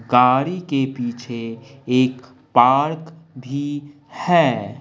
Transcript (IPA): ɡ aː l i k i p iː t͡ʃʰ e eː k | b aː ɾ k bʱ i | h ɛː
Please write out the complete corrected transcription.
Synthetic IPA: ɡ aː ɾ i k e p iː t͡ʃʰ e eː k | p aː ɾ k bʱ i | h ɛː